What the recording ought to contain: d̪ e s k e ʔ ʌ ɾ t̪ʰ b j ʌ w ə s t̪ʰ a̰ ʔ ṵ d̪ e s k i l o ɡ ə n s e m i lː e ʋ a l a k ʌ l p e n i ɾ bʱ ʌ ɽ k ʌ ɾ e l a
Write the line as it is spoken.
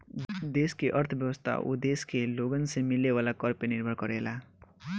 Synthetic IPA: d̪ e s k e ʔ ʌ ɾ t̪ʰ b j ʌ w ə s t̪ʰ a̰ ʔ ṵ d̪ e s k e l o ɡ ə n s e m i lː e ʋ a l a k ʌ ɾ p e n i ɾ bʱ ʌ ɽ k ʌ ɾ e l a